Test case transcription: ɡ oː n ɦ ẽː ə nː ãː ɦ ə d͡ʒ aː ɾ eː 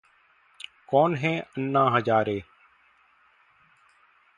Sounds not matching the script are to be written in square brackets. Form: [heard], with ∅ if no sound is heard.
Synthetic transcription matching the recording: [k] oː n ɦ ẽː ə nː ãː ɦ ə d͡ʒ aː ɾ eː